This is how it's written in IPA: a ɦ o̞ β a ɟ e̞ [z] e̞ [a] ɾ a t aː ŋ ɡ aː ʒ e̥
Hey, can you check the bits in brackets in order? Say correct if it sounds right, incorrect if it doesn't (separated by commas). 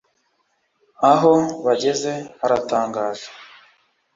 correct, correct